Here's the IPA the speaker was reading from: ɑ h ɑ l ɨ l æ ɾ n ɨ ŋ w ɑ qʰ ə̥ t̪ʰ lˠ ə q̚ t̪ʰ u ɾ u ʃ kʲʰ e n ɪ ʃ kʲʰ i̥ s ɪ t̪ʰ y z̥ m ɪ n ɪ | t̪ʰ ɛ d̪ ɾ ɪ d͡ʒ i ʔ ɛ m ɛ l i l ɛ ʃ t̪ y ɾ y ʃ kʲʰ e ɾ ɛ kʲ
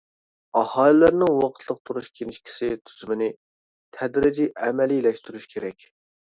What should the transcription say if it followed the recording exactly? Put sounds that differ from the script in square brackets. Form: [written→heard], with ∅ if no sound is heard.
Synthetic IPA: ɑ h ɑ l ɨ l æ ɾ n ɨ ŋ w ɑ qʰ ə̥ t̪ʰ lˠ ə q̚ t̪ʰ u ɾ u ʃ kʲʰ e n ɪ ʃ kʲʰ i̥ s ɪ t̪ʰ y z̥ m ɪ n ɪ | t̪ʰ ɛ d̪ ɾ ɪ d͡ʒ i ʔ ɛ m ɛ l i l ɛ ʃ t̪ y ɾ y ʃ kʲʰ e ɾ ɛ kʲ